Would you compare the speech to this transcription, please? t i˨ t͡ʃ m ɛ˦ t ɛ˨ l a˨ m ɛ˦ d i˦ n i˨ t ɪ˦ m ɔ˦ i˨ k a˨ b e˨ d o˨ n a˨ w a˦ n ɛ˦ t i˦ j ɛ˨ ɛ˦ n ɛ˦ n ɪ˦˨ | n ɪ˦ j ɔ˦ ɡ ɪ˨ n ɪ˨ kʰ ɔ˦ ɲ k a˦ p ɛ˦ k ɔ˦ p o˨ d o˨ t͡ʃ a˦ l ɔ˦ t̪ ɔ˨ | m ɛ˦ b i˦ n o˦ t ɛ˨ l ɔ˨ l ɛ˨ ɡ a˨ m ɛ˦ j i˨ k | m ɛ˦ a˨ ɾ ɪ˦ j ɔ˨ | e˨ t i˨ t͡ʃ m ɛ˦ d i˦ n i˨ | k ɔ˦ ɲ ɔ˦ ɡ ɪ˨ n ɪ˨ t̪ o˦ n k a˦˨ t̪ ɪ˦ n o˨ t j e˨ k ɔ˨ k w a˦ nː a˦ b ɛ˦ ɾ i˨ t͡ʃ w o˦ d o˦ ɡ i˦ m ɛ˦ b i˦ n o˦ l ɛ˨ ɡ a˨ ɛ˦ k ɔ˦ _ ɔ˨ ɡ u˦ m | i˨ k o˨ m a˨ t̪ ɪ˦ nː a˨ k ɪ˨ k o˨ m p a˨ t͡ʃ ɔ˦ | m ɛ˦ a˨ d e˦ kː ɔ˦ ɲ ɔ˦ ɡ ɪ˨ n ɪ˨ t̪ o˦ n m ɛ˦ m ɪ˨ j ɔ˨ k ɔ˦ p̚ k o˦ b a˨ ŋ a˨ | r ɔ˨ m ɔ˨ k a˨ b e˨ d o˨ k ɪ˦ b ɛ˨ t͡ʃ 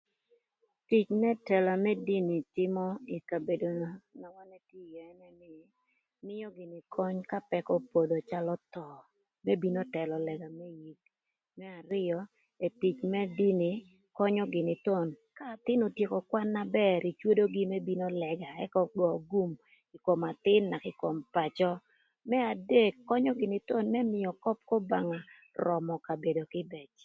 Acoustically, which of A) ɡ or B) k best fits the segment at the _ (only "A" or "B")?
A